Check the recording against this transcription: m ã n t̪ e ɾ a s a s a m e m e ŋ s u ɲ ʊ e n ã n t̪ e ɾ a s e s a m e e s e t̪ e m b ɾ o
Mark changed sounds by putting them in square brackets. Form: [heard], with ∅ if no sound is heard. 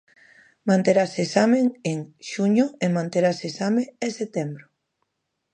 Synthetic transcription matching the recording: m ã n t̪ e ɾ a s [e] s a m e [ŋ] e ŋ [ʃ] u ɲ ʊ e [m] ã n t̪ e ɾ a s e s a m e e s e t̪ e m b ɾ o